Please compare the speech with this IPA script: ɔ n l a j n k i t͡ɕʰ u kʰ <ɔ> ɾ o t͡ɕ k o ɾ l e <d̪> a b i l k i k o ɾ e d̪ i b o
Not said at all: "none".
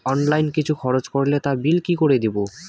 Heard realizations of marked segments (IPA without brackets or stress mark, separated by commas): ɔ, t̪